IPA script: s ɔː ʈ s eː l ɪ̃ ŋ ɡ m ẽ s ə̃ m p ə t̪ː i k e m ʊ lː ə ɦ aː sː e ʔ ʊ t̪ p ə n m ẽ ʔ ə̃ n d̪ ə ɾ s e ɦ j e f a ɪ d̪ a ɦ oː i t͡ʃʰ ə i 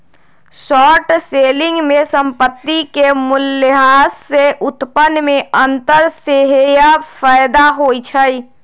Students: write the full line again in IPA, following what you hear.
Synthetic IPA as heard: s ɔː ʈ s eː l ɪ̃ ŋ ɡ m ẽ s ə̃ m p ə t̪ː i k e m ʊ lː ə ɦ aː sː e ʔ ʊ t̪ p ə n m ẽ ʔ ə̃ n t̪ ə ɾ s e ɦ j a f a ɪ d̪ a ɦ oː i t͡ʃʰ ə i